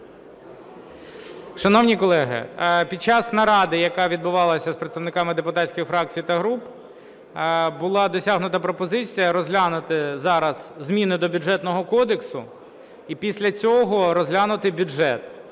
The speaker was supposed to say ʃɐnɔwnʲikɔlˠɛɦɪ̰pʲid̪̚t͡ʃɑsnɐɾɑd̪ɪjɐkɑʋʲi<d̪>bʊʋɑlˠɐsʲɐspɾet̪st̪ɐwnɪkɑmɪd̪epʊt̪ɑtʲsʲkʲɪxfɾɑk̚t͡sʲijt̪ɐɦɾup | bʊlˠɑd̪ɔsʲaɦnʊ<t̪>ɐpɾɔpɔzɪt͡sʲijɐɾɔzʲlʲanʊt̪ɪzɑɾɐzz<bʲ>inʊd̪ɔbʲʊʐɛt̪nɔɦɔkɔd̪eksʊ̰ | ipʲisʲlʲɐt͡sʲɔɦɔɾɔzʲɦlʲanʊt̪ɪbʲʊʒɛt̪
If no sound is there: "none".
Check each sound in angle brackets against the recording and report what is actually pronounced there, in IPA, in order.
d̪, t̪, mʲ

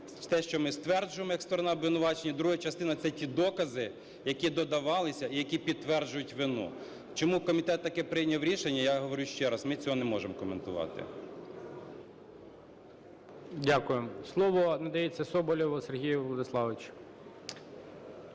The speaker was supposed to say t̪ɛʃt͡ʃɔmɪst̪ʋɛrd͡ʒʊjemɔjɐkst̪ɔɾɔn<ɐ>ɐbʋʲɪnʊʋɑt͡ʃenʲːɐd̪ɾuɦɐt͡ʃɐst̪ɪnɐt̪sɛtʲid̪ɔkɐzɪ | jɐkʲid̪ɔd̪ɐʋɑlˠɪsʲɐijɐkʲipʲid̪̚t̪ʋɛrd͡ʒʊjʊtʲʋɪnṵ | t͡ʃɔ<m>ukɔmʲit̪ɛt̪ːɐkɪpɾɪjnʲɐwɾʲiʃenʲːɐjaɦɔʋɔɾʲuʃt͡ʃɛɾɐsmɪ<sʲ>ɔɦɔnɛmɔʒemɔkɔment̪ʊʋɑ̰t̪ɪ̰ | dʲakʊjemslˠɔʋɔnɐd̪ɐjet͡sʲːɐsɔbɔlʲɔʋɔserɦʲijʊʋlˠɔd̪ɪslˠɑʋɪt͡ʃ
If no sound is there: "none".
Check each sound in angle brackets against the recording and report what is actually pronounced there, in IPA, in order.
ɑ, m, t͡sʲ

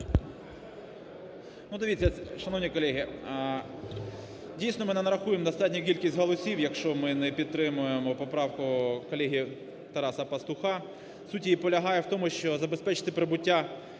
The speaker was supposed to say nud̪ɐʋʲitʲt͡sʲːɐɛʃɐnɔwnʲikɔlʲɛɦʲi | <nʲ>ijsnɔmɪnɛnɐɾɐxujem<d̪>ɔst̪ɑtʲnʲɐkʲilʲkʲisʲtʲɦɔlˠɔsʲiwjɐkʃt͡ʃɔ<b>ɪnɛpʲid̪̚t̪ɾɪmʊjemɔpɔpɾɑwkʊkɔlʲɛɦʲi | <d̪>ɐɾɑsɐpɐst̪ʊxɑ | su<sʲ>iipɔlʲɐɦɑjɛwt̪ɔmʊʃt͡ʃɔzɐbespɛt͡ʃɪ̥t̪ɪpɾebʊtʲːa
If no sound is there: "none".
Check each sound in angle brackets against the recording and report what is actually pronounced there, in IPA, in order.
dʲ, d̪, m, t̪, tʲ

